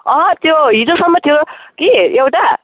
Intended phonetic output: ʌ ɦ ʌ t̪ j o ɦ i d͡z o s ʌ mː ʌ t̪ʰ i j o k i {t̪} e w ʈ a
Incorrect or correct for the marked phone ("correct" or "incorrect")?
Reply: incorrect